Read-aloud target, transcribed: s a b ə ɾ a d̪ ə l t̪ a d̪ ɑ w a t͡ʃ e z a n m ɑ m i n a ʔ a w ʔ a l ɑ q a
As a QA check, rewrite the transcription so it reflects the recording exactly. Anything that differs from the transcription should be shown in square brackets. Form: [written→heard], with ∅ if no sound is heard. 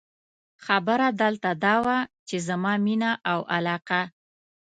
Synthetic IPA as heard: [s→x] a b ə ɾ a d̪ ə l t̪ a d̪ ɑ w a t͡ʃ e z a [n→∅] m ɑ m i n a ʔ a w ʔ a l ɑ q a